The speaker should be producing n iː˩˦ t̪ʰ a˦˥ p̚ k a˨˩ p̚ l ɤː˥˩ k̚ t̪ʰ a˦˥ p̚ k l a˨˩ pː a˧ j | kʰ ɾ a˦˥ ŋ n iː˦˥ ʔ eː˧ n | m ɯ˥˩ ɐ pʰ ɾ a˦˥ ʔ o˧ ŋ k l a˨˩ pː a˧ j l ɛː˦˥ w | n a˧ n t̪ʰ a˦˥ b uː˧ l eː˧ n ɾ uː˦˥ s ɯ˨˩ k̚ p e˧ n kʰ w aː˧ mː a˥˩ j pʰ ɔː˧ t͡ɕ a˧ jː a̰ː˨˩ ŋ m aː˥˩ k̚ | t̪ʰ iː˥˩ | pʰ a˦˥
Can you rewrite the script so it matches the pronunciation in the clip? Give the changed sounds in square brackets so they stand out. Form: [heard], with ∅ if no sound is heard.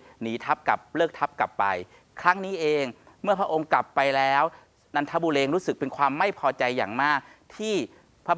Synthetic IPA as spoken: n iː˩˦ t̪ʰ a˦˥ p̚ k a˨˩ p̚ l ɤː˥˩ k̚ t̪ʰ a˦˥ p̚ k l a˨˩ pː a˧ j | kʰ ɾ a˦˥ ŋ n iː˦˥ ʔ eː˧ [ŋ] | m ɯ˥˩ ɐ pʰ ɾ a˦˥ ʔ o˧ ŋ k l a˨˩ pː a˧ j l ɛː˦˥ w | n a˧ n t̪ʰ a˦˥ b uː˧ l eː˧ [ŋ] ɾ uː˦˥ s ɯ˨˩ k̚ p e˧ n kʰ w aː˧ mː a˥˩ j pʰ ɔː˧ t͡ɕ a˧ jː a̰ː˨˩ ŋ m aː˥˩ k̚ | t̪ʰ iː˥˩ | pʰ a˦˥